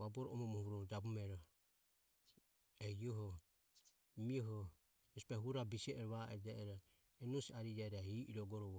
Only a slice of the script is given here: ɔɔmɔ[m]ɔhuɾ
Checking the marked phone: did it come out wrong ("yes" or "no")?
no